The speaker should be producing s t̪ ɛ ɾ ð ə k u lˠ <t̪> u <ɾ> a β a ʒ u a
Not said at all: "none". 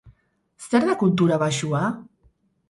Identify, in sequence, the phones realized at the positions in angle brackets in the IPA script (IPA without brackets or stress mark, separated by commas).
t̪, ɾ